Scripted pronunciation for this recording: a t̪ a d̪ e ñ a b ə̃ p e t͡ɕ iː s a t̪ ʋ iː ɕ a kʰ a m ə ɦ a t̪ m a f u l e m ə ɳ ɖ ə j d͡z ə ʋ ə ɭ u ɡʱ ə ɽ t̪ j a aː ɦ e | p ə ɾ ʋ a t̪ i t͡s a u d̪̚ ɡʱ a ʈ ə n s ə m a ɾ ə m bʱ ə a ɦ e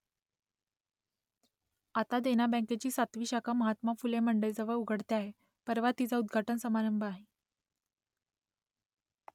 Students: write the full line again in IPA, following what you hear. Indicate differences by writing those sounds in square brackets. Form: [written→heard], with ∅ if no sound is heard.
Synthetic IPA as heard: a t̪ a d̪ e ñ a b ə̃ [p→k] e t͡ɕ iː s a t̪ ʋ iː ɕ a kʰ a m ə ɦ a t̪ m a f u l e m ə ɳ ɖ ə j d͡z ə ʋ ə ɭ u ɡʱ ə ɽ t̪ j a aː ɦ e | p ə ɾ ʋ a t̪ i t͡s a u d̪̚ ɡʱ a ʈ ə n s ə m a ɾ ə m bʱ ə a ɦ e